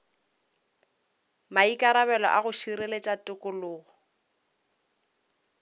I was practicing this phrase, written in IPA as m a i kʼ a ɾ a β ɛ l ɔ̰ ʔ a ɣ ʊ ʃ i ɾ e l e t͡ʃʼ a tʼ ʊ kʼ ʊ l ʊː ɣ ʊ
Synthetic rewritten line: m a i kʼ a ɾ a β ɛ l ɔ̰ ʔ a ɣ ʊ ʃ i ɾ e l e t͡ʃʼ a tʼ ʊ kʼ ʊ l ʊː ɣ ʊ